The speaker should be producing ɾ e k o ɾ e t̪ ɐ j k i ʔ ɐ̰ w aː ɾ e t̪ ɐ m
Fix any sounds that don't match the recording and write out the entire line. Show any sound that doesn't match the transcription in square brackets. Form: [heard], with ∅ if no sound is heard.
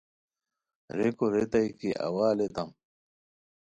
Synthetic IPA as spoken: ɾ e k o ɾ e t̪ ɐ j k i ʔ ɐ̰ w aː [l] e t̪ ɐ m